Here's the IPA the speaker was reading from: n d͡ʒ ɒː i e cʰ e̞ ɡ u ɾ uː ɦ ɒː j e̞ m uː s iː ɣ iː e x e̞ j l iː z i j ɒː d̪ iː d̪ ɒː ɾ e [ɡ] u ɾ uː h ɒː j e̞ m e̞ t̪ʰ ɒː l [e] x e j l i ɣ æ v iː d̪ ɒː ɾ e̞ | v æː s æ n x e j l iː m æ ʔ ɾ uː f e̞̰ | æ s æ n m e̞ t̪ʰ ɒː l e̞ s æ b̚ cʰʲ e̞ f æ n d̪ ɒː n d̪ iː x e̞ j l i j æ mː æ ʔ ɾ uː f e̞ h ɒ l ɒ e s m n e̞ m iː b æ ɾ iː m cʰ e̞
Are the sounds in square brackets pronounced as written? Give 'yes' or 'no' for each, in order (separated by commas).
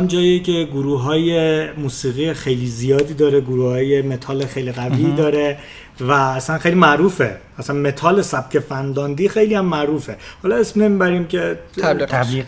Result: yes, yes